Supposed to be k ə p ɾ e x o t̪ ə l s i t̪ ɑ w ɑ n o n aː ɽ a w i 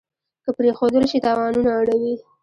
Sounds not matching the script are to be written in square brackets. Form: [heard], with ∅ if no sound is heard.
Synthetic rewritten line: k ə p ɾ e x o [d̪] ə l [ʃ] i t̪ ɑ w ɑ n [u] n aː ɽ a w i